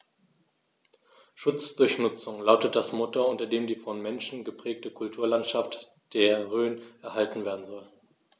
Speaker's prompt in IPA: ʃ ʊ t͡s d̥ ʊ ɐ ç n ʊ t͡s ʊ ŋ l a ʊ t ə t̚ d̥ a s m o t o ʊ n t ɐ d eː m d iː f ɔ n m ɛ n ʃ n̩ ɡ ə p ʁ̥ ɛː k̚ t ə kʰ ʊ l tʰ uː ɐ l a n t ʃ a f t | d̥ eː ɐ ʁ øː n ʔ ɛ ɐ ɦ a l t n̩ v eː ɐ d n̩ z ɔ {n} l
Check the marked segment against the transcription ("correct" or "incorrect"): incorrect